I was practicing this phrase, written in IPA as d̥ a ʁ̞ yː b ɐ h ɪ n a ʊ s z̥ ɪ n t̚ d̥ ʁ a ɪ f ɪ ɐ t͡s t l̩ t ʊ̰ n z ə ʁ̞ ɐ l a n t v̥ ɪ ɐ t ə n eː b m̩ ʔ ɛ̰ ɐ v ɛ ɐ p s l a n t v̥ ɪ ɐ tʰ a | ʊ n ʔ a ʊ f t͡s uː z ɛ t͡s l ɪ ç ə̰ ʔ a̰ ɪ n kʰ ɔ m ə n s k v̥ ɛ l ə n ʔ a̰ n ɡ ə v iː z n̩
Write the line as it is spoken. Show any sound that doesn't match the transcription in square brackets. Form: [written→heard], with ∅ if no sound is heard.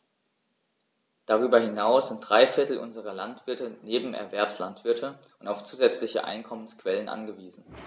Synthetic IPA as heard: d̥ a ʁ̞ yː b ɐ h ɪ n a ʊ s z̥ ɪ n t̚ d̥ ʁ a ɪ f ɪ ɐ [t͡s→∅] t l̩ [t→ʔ] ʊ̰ n z ə ʁ̞ ɐ l a n t v̥ ɪ ɐ t ə n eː b m̩ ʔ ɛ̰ ɐ v ɛ ɐ p s l a n t v̥ ɪ ɐ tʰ [a→ə] | ʊ n [ʔ→t] a ʊ f t͡s uː z ɛ t͡s l ɪ ç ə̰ ʔ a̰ ɪ n kʰ ɔ m ə n s k v̥ ɛ l ə n ʔ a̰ n ɡ ə v iː z n̩